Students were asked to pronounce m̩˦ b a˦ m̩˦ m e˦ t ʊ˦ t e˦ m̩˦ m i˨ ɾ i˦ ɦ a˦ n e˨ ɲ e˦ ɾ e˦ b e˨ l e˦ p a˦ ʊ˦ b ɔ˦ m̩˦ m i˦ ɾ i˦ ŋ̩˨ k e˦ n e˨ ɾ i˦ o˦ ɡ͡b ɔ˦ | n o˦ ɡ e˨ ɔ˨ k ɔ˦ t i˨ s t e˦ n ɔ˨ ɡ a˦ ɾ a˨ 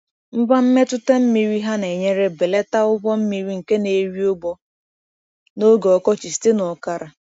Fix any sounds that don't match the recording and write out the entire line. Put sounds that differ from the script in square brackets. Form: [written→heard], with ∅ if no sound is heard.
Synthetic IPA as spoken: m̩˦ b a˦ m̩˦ m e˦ t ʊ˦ t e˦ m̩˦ m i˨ ɾ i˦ ɦ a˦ n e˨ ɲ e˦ ɾ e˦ b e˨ l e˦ [p→t] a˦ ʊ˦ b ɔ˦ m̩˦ m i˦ ɾ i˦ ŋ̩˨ k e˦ n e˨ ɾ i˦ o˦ ɡ͡b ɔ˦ | n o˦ ɡ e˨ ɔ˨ k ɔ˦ [t→t͡ʃ] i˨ s t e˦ n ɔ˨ [ɡ→k] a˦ ɾ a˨